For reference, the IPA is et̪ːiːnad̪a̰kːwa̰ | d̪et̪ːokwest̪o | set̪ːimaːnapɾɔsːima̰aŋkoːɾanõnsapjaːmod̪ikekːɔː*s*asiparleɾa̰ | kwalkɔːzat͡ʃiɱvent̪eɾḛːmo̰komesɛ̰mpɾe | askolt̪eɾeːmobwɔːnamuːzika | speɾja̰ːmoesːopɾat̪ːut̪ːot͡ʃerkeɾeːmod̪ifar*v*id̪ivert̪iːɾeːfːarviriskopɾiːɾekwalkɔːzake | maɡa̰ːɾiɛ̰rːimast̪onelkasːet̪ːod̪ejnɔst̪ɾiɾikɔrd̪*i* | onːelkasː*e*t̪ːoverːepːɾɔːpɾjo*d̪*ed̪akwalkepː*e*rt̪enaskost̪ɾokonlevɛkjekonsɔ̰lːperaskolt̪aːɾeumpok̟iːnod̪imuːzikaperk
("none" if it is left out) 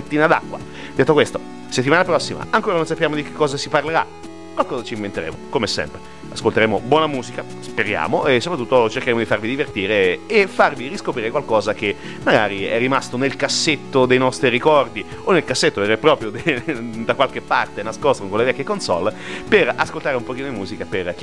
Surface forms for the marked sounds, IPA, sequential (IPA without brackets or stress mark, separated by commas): z, v, i, e, d̪, a